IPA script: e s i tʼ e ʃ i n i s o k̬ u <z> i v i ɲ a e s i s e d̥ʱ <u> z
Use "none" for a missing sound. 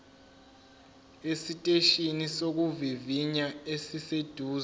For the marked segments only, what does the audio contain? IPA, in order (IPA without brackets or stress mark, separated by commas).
v, uː